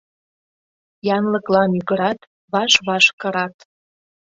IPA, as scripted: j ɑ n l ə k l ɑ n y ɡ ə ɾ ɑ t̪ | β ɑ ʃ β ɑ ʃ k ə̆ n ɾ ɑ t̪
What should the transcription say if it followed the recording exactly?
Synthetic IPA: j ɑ n l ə k l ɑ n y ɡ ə ɾ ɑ t̪ | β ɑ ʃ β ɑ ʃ k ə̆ ɾ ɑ t̪